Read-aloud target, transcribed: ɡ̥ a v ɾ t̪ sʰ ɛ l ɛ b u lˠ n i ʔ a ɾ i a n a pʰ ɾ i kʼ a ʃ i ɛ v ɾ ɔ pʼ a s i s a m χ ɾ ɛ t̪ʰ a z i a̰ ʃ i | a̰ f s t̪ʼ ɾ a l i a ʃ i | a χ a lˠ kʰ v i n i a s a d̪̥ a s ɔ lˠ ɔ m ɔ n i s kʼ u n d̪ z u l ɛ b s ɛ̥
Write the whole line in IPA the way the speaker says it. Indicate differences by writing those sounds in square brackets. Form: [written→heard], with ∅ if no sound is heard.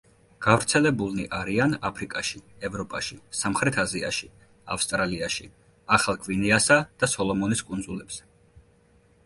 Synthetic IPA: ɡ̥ a v ɾ t̪ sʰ ɛ l ɛ b u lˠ n i ʔ a ɾ i a n a pʰ ɾ i kʼ a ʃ i ɛ v ɾ ɔ pʼ a [s→ʃ] i s a m χ ɾ ɛ t̪ʰ a z i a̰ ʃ i | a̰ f s t̪ʼ ɾ a l i a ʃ i | a χ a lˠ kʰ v i n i a s a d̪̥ a s ɔ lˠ ɔ m ɔ n i s kʼ u n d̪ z u l ɛ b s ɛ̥